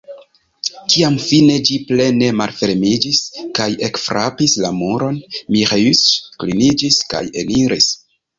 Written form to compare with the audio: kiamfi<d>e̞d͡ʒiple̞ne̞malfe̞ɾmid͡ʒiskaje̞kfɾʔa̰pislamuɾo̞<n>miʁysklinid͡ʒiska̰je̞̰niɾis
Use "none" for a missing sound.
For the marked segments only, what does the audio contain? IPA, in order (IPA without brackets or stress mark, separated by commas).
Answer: n, n